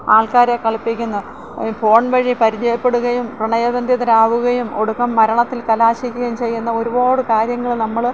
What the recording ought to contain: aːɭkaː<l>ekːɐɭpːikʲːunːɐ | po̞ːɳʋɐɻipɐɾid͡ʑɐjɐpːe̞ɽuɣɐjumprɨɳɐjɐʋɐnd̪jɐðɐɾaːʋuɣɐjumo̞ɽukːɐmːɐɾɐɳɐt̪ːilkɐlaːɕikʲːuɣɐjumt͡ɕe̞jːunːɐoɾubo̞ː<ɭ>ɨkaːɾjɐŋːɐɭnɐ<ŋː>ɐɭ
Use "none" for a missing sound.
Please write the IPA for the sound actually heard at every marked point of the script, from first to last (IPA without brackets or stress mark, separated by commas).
ɾ, ɽ, mː